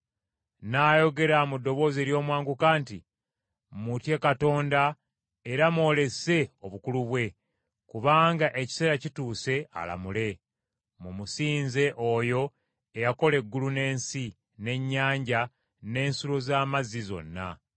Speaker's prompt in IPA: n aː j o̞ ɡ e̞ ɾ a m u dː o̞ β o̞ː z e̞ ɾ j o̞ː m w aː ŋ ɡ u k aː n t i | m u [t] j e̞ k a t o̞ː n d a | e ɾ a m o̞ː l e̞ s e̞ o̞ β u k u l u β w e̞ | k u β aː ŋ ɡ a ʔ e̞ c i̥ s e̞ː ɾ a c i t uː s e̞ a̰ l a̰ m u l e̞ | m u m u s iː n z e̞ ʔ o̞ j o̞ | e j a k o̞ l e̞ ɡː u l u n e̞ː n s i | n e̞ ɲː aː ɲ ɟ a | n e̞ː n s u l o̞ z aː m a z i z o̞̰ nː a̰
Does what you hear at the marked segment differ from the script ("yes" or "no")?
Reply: no